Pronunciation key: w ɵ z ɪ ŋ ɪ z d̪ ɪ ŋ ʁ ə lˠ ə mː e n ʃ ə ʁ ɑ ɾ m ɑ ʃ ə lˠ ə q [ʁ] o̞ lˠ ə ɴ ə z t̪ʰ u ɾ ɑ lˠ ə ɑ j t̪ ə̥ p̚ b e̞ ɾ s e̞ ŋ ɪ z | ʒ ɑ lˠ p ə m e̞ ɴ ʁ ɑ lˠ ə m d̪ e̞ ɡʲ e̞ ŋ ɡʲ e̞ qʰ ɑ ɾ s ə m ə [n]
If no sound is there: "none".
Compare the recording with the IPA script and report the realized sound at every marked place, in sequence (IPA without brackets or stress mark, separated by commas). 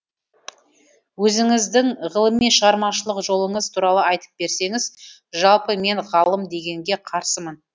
ʒ, n